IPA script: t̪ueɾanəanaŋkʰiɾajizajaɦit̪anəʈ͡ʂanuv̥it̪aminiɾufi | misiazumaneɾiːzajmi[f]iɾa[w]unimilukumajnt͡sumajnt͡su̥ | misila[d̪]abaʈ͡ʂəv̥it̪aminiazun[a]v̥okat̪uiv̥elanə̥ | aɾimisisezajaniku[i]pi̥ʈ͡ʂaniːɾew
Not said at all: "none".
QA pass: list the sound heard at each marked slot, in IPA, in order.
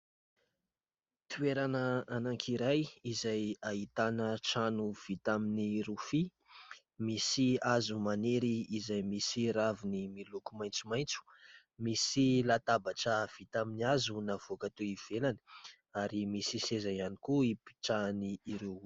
s, v, t̪, a, i

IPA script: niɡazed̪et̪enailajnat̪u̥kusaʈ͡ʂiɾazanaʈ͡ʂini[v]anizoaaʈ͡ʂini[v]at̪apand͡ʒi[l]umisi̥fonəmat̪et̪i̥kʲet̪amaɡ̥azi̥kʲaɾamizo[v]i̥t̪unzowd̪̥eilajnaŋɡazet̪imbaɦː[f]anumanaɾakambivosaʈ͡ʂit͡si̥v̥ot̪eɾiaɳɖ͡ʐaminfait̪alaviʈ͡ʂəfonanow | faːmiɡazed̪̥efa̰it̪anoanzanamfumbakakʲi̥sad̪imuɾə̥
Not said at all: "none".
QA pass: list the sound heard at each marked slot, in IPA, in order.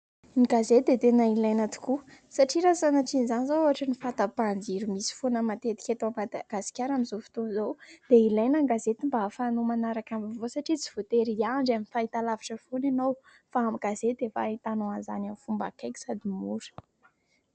z, f, ɾ, f, f

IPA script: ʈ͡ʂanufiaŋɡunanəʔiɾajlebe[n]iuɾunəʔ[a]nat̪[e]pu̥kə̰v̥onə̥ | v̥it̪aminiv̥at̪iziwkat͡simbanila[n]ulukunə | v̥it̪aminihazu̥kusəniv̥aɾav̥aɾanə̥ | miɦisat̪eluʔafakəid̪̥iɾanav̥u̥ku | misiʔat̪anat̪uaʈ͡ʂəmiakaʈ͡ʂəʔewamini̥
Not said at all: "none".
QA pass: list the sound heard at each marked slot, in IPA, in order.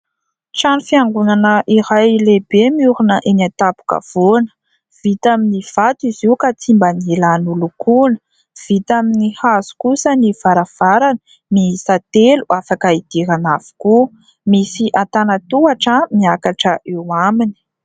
m, e, a, n

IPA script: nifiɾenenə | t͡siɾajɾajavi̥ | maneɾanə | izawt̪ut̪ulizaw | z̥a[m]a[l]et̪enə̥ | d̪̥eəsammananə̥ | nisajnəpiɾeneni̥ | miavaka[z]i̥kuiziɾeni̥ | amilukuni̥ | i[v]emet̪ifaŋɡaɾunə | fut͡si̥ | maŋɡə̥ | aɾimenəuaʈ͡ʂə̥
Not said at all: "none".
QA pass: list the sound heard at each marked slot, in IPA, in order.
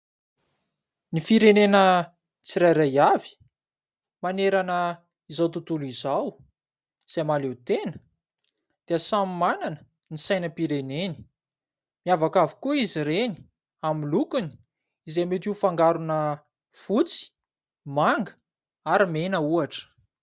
m, l, v, z

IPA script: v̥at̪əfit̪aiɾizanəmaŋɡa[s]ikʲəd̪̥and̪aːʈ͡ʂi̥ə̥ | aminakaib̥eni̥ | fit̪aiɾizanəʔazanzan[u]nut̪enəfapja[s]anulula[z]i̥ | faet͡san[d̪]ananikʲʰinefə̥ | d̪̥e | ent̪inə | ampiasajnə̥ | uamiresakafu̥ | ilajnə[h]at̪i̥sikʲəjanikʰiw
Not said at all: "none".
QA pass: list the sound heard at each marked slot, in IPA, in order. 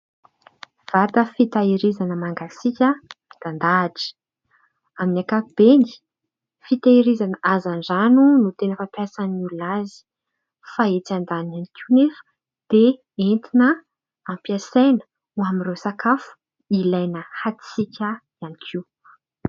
s, u, s, z, d̪, h

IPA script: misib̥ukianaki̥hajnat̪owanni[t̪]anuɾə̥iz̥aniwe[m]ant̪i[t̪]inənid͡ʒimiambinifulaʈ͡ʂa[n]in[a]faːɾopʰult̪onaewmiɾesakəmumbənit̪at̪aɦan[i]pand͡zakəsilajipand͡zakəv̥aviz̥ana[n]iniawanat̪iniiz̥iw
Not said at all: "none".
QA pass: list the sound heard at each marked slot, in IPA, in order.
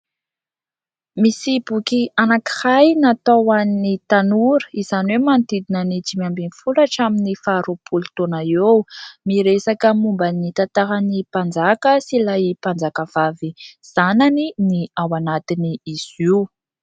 t̪, m, d̪, m, i, i, n

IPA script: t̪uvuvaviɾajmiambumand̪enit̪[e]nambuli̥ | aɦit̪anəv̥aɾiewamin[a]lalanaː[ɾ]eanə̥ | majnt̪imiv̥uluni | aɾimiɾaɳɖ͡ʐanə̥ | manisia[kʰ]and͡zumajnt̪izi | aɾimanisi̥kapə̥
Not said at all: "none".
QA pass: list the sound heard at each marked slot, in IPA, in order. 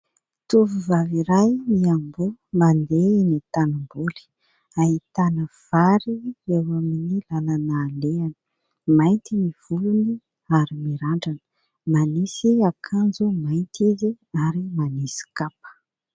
a, i, l, kʰ

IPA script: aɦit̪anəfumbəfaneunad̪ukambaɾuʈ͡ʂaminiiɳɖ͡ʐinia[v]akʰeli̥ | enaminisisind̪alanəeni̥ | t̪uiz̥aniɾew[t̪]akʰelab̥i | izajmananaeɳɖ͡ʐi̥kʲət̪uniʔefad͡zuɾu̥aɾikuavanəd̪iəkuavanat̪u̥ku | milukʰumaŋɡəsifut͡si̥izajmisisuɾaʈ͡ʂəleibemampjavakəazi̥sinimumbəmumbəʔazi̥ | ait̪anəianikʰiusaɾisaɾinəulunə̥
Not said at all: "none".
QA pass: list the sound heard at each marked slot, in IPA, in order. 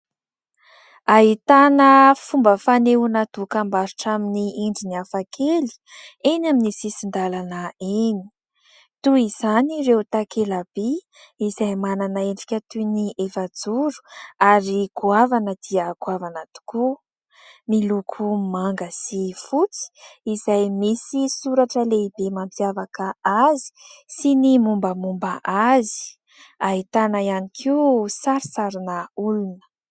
f, t̪

